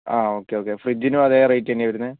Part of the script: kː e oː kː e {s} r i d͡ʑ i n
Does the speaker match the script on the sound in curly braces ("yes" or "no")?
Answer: no